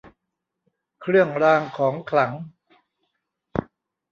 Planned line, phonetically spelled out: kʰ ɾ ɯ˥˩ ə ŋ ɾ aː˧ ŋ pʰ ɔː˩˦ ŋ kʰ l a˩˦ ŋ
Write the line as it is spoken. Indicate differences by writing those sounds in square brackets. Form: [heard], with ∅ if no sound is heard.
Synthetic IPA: kʰ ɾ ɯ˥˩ ə ŋ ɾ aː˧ ŋ [kʰ] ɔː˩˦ ŋ kʰ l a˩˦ ŋ